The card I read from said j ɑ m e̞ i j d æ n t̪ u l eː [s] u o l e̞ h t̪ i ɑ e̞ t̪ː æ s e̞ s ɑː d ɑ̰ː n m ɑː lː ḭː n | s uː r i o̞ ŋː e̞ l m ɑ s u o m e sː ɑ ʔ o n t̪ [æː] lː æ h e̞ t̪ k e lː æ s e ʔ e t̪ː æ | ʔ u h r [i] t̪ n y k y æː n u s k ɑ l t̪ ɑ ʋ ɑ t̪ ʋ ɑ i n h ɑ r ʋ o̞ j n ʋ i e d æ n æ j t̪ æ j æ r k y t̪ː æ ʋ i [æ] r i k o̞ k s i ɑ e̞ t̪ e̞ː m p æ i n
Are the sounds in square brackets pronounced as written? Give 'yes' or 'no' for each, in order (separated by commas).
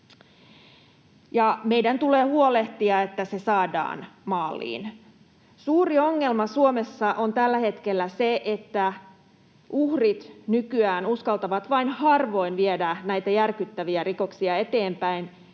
no, no, yes, yes